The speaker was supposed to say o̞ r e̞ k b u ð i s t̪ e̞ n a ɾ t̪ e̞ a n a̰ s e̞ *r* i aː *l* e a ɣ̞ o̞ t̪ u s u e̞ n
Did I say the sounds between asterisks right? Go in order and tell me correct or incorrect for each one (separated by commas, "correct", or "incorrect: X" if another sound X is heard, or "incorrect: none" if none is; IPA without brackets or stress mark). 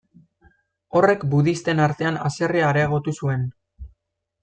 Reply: correct, incorrect: ɾ